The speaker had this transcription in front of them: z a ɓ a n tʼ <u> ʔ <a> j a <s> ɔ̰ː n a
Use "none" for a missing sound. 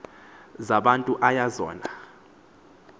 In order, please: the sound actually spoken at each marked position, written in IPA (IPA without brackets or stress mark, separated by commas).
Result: u, a, z